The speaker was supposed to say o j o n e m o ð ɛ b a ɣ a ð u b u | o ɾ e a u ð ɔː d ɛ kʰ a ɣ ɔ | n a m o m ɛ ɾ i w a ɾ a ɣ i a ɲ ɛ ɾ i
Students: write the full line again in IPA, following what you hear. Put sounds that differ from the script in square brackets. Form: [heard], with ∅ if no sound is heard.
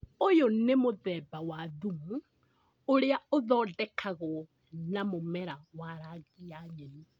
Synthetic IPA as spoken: o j o n e m o ð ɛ b a [w] a ð u [m] u | o ɾ e a [o] ð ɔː d ɛ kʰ a ɣ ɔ | n a m o m ɛ ɾ [a] w a ɾ a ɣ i a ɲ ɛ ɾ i